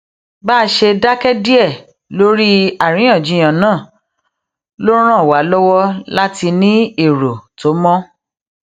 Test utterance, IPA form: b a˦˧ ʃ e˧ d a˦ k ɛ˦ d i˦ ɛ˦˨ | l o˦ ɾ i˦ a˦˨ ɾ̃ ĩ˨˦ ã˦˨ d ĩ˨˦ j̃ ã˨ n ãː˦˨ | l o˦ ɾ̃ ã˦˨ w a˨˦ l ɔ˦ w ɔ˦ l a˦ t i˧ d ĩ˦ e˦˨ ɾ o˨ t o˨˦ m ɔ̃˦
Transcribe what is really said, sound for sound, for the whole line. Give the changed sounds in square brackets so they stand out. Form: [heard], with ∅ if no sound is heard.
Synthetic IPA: b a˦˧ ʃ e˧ d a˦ k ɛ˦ d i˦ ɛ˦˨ | l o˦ ɾ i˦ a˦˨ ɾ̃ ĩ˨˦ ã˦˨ [d͡ʒ] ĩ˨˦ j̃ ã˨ n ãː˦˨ | l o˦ ɾ̃ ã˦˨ w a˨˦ l ɔ˦ w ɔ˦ l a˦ t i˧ [n] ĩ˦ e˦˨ ɾ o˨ t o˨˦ m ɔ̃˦